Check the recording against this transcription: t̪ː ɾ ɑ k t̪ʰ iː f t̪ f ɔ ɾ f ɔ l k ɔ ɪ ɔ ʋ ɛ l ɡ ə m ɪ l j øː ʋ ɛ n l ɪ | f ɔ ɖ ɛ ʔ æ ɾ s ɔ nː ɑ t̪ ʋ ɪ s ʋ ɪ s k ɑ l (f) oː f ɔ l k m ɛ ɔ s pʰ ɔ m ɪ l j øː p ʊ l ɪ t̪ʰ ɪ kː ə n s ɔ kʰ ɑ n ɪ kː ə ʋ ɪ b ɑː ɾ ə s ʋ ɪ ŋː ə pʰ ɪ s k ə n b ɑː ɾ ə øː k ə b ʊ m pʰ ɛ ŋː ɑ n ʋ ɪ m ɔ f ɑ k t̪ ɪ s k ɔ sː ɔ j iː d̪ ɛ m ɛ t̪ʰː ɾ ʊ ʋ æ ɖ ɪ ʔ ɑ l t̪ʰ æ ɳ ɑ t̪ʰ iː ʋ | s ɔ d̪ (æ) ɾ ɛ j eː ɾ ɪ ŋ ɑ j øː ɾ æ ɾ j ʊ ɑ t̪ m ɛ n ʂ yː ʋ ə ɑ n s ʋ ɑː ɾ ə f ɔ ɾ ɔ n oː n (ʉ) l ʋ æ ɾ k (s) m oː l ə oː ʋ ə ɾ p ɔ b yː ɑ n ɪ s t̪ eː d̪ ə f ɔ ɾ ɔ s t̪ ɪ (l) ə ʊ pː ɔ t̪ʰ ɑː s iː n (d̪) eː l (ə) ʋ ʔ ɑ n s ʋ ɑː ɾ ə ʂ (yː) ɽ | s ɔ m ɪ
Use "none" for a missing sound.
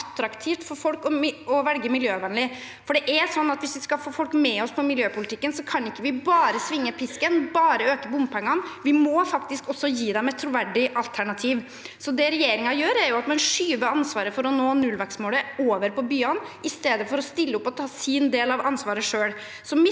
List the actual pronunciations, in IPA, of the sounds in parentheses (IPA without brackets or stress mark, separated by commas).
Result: f, ɛ, ʉ, s, lː, d̪, ɑ, øː